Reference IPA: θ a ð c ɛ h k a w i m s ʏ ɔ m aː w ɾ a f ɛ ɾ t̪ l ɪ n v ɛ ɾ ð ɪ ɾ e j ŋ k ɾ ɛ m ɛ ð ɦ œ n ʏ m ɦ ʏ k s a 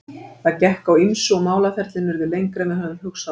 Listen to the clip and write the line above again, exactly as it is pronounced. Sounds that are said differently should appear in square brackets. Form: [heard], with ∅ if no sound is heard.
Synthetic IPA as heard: θ a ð c ɛ h k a w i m s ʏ ɔ m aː w [l] a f ɛ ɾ t̪ l ɪ n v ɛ ɾ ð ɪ [l] e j ŋ k ɾ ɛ m ɛ ð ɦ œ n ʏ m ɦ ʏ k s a